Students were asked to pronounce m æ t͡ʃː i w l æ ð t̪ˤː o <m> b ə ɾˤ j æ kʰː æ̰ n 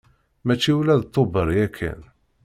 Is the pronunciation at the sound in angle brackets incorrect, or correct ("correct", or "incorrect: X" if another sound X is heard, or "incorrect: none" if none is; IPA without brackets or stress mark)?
incorrect: none